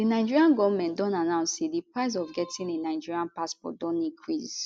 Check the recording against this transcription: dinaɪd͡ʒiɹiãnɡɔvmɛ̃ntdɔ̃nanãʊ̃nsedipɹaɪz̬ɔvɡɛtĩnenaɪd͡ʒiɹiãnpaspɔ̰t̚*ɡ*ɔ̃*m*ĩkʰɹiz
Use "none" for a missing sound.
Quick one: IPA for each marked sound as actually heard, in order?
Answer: d, n

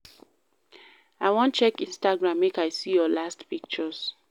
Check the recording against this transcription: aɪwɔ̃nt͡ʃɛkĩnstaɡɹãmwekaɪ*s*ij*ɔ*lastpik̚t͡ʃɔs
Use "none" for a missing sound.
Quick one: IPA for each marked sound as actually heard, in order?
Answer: s, ɔ

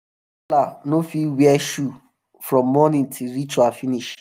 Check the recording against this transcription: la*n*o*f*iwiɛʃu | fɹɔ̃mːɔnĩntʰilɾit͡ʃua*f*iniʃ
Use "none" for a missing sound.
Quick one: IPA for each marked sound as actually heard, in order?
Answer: n, f, f

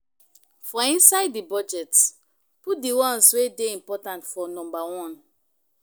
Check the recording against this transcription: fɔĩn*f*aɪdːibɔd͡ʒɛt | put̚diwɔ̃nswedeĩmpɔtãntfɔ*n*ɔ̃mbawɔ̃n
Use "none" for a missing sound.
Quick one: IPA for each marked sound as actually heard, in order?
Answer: s, n

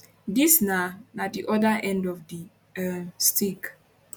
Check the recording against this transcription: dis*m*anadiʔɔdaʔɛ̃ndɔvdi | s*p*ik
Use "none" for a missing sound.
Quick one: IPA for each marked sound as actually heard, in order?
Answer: n, t

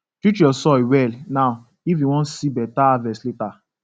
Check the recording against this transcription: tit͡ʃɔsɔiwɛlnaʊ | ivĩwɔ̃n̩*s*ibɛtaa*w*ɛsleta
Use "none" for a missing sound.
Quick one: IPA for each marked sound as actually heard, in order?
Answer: s, v

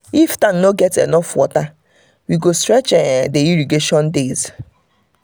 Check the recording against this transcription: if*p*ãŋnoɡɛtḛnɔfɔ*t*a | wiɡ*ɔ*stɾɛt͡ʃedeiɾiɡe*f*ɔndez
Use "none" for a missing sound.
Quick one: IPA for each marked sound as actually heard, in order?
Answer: t, t, o, ʃ

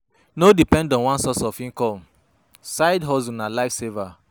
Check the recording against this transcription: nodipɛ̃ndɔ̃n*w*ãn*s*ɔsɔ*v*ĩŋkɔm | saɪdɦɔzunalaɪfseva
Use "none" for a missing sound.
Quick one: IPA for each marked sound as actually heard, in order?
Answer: w, s, f

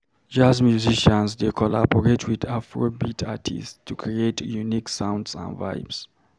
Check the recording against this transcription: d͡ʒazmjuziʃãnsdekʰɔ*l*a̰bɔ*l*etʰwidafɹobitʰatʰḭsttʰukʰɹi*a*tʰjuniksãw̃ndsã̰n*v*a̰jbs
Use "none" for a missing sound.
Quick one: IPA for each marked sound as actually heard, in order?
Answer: l, ɹ, e, v

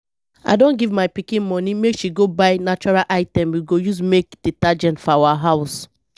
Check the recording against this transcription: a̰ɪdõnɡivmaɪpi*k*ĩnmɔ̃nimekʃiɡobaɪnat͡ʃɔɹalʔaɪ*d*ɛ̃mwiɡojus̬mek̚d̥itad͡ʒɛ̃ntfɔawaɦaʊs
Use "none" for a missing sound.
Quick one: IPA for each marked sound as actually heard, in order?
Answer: k, t

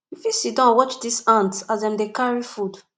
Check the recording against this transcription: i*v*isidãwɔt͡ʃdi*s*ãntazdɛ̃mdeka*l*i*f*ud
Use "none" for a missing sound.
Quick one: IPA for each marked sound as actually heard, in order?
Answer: f, s, ɹ, f

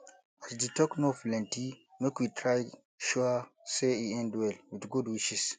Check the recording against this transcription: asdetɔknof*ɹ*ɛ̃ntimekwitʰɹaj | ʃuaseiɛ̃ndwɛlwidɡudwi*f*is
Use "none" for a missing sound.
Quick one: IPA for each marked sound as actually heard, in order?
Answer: l, ʃ

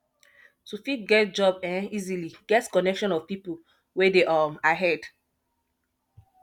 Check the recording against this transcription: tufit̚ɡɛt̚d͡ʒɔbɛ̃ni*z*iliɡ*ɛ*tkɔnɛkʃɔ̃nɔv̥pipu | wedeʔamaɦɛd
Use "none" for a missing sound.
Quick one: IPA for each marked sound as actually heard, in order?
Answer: z, ɛ

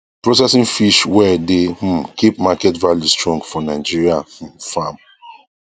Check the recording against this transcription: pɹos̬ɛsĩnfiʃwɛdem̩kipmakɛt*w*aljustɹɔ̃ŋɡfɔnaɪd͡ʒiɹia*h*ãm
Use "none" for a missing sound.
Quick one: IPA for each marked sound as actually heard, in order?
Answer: v, f

